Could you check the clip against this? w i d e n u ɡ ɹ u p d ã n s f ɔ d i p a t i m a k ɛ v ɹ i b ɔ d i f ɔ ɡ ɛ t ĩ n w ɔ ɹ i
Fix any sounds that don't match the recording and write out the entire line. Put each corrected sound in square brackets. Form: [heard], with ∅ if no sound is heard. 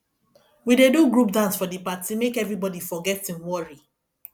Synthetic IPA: w i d e [d] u ɡ ɹ u p d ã n s f ɔ d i p a t i m [e] k ɛ v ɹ i b ɔ d i f ɔ ɡ ɛ t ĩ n w ɔ ɹ i